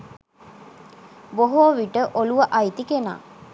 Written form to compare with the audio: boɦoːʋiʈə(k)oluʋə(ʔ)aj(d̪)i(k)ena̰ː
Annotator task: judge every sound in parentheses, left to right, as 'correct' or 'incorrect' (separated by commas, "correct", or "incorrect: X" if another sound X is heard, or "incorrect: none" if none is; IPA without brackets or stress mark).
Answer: incorrect: ʔ, correct, incorrect: t̪, correct